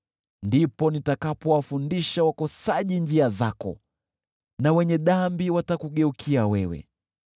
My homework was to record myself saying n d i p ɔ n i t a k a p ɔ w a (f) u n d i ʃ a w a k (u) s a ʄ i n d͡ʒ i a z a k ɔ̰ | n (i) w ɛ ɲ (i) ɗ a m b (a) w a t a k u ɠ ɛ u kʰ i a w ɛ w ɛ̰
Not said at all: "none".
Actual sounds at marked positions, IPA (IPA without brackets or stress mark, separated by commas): f, ɔ, a, ɛ, i